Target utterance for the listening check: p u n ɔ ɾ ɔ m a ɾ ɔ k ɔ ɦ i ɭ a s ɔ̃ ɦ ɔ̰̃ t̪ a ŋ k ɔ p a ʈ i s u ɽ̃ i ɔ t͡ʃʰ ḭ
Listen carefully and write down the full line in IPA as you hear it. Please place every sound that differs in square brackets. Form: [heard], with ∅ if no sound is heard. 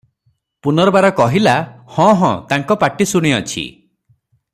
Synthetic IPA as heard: p u n ɔ ɾ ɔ [b] a ɾ ɔ k ɔ ɦ i [l] a [h] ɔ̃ ɦ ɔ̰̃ t̪ a ŋ k ɔ p a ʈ i s u ɽ̃ i ɔ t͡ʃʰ ḭ